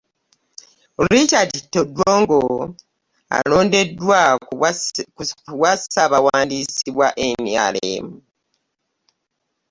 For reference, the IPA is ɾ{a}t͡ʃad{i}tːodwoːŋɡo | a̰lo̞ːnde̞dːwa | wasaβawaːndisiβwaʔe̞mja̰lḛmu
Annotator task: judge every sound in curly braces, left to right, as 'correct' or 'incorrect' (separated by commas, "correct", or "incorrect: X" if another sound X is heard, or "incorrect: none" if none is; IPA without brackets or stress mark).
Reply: incorrect: i, correct